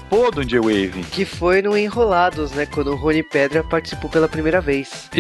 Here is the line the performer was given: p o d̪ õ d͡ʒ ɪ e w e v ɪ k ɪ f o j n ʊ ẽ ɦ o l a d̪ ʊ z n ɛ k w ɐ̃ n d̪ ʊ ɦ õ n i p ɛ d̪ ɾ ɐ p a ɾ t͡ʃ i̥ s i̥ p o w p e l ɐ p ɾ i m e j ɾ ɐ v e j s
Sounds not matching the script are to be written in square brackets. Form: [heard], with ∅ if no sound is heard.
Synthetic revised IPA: p o d̪ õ d͡ʒ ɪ e w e v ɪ k ɪ f o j n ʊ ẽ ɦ o l a d̪ ʊ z n ɛ k w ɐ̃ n d̪ ʊ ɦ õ n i p ɛ d̪ ɾ ɐ p a ɾ t͡ʃ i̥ s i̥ p o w p e l ɐ p ɾ i m e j ɾ ɐ v e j s